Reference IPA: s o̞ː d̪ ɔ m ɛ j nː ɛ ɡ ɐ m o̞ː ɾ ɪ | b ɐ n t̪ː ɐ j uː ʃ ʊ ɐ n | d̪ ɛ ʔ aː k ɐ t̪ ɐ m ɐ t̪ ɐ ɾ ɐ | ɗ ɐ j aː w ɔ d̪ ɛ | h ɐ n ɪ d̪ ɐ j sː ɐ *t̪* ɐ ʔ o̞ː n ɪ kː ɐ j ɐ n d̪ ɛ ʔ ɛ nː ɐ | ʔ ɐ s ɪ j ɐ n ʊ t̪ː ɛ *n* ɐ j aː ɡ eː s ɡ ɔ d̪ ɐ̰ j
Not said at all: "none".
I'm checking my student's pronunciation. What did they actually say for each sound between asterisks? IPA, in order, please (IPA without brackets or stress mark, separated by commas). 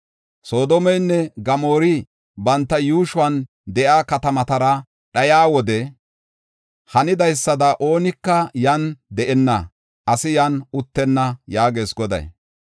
d̪, nː